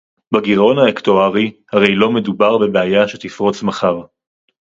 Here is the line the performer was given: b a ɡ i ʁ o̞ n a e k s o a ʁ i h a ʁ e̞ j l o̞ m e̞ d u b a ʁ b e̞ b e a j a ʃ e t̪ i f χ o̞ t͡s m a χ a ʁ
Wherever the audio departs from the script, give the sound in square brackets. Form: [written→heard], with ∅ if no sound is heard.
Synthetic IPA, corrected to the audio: b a ɡ i ʁ o̞ n a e k [s→t] o a ʁ i h a ʁ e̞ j l o̞ m e̞ d u b a ʁ b e̞ b e a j a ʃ e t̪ i f [χ→ʁ] o̞ t͡s m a χ a ʁ